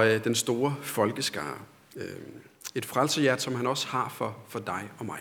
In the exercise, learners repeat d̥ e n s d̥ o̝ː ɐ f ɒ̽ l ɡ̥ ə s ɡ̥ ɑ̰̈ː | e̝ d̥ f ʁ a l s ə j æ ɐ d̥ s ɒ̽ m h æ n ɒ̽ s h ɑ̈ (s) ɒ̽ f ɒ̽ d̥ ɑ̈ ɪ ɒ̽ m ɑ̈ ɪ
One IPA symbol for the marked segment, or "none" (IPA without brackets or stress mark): f